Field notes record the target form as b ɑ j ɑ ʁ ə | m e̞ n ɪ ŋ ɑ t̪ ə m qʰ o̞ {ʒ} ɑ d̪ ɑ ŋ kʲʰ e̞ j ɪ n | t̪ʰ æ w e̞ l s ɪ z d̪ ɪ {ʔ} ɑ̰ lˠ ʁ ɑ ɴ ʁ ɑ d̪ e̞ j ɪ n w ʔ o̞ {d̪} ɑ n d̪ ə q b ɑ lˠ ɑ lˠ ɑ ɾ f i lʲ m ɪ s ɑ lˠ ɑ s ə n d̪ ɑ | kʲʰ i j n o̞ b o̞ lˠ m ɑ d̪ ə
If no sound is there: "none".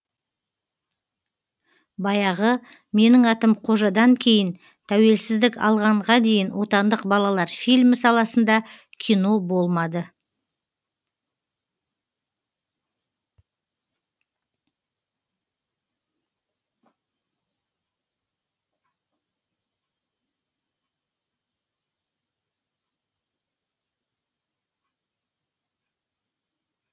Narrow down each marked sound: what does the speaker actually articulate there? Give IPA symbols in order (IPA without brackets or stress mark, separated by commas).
ʒ, k, t̪